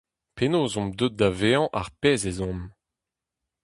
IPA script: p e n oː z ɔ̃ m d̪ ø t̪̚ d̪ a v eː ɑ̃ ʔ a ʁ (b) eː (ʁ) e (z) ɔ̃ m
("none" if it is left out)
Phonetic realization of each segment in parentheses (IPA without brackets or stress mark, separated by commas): p, z, z